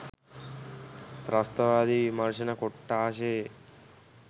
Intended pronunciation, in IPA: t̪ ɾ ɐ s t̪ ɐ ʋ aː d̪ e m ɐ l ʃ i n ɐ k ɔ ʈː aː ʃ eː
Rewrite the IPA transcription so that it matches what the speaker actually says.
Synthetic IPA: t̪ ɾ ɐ s t̪ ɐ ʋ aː d̪ i m ɐ ɾ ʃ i n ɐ k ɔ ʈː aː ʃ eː